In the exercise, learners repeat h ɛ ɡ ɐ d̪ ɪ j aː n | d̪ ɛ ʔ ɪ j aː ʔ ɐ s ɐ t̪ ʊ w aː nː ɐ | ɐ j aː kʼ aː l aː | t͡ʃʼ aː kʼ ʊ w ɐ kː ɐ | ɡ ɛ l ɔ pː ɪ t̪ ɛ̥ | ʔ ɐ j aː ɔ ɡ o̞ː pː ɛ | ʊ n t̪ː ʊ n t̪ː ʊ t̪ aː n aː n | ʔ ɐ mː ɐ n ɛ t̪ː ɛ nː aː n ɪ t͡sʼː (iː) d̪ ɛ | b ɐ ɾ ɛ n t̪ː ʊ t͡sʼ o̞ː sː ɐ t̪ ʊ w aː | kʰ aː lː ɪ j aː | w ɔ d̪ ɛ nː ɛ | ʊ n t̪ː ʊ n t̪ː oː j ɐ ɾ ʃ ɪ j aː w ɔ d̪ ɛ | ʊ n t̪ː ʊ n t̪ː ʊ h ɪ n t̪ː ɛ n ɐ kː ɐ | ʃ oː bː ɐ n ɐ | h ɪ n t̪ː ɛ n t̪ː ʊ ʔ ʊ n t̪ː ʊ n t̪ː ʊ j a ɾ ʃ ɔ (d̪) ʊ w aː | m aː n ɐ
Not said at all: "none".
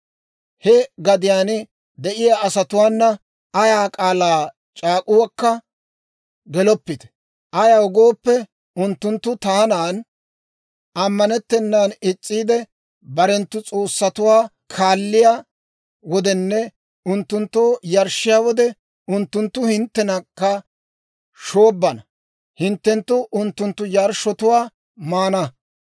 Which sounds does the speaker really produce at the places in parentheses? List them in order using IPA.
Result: iː, t̪

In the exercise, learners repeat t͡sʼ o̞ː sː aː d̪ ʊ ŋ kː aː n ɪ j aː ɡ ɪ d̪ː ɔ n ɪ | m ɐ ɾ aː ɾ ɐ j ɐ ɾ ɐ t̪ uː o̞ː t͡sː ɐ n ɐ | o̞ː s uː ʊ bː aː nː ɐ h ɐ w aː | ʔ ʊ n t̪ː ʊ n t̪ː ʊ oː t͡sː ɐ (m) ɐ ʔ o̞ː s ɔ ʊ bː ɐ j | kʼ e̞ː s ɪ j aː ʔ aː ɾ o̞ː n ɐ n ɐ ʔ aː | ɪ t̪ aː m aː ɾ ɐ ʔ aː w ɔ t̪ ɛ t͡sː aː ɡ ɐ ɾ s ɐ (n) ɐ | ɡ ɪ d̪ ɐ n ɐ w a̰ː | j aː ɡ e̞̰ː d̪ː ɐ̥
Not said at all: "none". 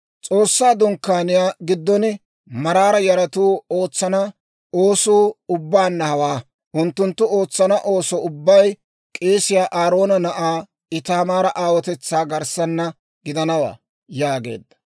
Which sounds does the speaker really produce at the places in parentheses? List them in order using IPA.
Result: n, nː

